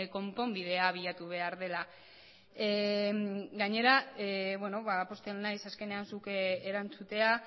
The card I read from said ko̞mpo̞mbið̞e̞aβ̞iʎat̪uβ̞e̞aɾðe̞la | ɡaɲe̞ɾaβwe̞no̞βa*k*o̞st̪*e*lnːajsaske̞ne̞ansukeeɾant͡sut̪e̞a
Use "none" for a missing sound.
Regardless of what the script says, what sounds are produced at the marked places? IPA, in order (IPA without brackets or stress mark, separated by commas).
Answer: p, e